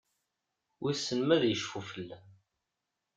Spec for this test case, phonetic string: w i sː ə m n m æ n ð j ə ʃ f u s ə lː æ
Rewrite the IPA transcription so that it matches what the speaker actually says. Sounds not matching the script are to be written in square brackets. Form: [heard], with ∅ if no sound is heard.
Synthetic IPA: w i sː ə [∅] n m æ [∅] ð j ə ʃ f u [f] ə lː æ